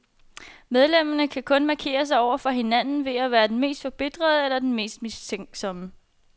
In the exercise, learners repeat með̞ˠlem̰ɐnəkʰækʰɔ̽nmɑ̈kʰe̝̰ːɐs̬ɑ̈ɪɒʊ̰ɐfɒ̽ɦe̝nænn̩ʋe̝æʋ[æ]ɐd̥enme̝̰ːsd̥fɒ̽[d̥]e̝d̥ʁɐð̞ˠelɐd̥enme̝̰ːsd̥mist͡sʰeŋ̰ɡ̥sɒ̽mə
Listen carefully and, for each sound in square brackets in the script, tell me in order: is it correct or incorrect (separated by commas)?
incorrect, incorrect